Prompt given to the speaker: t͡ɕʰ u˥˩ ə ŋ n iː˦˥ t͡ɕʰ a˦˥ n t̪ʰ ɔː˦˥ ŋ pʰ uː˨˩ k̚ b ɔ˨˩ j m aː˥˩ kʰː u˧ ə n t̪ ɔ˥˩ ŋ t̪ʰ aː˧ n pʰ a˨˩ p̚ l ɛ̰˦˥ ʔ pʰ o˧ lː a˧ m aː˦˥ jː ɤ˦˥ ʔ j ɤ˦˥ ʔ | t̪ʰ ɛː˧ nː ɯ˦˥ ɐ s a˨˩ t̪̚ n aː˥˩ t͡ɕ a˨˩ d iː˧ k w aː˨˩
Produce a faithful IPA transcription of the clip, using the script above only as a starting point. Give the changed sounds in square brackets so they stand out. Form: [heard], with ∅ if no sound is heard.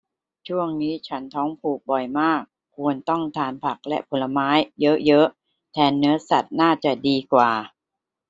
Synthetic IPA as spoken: t͡ɕʰ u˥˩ ə ŋ n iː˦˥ t͡ɕʰ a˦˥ n t̪ʰ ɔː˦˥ ŋ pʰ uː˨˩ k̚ b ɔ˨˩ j m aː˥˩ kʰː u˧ ə n t̪ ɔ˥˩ ŋ t̪ʰ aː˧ n pʰ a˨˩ [k̚] l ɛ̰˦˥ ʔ pʰ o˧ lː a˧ m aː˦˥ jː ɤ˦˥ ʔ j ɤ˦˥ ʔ | t̪ʰ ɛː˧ nː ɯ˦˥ ɐ s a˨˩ t̪̚ n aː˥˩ t͡ɕ a˨˩ d iː˧ k w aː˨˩